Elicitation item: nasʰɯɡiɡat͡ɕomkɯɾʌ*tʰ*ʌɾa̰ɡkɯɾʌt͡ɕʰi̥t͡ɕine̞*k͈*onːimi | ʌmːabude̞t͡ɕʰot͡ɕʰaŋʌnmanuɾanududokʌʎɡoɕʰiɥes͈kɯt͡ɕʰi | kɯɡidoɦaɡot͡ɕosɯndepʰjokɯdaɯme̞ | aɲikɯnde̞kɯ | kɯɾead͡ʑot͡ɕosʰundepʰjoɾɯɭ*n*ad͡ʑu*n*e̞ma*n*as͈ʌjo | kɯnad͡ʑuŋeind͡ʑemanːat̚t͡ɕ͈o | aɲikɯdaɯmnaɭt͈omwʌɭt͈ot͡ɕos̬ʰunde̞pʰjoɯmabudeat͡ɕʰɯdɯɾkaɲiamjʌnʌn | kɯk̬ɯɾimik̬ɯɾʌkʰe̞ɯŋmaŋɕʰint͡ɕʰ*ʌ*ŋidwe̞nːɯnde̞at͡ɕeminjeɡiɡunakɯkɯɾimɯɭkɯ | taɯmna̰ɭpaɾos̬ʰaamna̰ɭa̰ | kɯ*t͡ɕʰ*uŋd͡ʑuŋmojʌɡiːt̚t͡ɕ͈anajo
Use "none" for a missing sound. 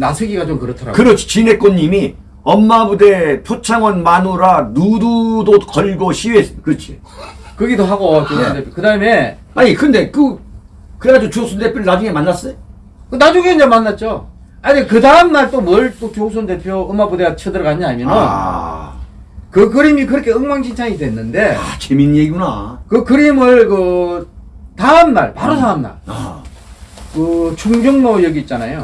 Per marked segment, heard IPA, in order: tʰ, k͈, n, ŋ, nː, a, t͡ɕʰ

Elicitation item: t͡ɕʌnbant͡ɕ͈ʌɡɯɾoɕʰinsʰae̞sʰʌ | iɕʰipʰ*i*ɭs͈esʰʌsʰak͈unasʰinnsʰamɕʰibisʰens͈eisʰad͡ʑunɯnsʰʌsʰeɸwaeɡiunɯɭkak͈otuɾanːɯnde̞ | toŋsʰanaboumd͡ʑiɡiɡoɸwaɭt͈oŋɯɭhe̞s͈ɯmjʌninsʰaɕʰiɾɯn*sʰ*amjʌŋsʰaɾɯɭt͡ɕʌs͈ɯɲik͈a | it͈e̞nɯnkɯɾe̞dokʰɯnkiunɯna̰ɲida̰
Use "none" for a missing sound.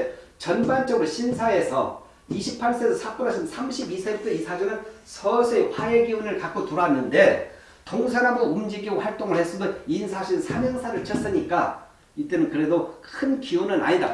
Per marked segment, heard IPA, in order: a, sʰ

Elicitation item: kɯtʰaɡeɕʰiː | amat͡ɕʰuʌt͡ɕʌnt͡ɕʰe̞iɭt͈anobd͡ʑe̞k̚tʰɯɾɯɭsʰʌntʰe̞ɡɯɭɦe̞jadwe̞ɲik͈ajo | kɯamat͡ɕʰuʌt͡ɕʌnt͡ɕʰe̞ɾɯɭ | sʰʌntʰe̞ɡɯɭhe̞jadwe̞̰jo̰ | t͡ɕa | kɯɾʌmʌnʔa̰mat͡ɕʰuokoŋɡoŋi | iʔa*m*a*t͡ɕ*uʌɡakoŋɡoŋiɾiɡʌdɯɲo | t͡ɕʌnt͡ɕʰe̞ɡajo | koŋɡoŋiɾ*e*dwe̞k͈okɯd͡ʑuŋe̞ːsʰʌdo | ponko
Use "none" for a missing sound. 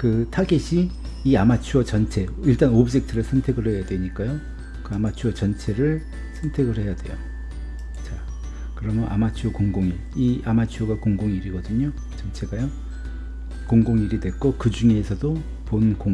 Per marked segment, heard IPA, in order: m, t͡ɕʰ, i

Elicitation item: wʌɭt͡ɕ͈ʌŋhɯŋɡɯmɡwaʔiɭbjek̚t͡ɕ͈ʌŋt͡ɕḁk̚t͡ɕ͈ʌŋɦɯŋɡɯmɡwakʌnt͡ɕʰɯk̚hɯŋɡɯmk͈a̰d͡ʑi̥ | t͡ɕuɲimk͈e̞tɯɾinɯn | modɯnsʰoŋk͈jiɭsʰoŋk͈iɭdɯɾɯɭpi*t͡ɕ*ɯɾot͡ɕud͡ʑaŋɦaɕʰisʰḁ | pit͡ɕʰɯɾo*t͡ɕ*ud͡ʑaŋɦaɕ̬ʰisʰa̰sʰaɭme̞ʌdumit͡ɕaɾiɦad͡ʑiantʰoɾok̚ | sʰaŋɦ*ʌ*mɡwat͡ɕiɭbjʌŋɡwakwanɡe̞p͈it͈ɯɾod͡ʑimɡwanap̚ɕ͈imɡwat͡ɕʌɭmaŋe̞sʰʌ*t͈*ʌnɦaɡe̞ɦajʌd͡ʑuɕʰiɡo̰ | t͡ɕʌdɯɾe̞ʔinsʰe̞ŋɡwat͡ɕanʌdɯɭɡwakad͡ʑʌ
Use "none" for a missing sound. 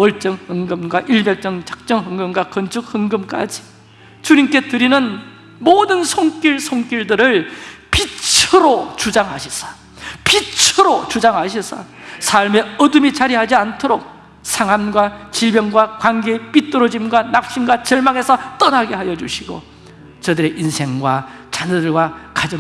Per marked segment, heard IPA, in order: t͡ɕʰ, t͡ɕ, a, t͈

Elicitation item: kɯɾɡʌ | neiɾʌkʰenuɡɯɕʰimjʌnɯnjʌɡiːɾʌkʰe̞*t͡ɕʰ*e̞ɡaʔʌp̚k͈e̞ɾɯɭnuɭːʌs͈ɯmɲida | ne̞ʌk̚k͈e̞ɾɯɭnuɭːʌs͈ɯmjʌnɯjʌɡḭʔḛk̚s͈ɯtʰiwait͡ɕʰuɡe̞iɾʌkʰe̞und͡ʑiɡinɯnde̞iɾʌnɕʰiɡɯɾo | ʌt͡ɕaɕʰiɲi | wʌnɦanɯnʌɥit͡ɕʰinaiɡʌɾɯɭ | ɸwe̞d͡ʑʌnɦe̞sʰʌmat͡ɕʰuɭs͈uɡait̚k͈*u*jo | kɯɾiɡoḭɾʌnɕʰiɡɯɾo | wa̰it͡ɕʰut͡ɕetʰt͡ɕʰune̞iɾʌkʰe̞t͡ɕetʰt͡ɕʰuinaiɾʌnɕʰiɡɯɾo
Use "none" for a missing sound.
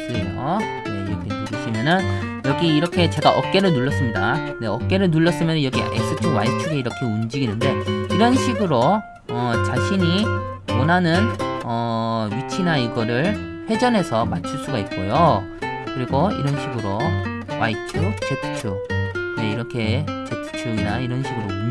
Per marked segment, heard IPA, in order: t͡ɕ, o

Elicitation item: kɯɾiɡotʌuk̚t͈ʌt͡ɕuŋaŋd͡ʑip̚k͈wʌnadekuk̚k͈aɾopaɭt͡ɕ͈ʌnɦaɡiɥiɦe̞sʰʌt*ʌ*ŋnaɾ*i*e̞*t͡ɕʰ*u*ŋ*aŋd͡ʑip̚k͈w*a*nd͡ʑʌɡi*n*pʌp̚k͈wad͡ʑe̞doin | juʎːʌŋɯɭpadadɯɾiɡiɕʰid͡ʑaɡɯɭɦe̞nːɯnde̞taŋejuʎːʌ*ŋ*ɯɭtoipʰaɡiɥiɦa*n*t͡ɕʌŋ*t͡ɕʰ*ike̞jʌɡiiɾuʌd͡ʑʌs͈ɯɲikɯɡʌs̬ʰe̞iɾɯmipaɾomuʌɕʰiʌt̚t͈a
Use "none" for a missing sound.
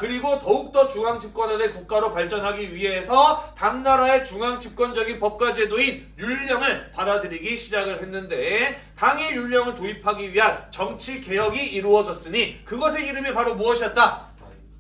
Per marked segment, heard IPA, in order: a, a, t͡ɕ, ŋ, ʌ, n, ŋ, n, t͡ɕʰ

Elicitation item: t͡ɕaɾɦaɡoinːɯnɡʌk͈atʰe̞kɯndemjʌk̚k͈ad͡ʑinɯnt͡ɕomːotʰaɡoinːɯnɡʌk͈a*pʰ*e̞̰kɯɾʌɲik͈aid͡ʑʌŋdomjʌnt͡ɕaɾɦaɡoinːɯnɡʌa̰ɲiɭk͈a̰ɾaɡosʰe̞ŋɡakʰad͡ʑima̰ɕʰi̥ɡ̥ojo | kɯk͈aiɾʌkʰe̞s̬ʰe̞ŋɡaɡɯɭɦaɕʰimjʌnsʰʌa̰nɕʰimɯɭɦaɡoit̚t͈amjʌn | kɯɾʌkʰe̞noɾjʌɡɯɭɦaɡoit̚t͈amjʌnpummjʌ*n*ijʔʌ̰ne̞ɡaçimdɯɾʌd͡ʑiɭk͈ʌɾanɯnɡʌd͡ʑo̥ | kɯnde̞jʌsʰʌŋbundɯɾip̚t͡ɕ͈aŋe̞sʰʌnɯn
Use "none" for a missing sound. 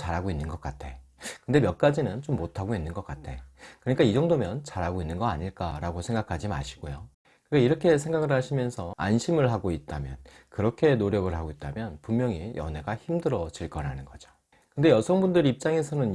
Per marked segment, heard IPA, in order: tʰ, ŋ

